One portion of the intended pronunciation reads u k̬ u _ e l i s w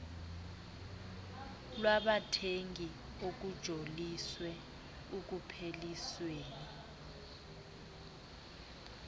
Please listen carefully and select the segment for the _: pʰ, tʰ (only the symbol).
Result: pʰ